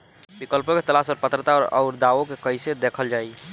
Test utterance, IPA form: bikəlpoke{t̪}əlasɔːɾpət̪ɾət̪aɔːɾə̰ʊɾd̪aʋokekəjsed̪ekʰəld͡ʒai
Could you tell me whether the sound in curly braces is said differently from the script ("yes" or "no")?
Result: no